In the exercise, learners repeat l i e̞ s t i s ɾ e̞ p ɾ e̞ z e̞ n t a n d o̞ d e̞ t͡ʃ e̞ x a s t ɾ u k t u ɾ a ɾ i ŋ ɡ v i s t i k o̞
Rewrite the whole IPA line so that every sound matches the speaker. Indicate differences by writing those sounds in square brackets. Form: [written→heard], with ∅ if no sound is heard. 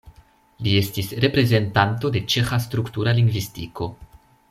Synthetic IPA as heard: l i e̞ s t i s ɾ e̞ p ɾ e̞ z e̞ n t a n [d→t] o̞ d e̞ t͡ʃ e̞ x a s t ɾ u k t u ɾ a [ɾ→l] i ŋ ɡ v i s t i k o̞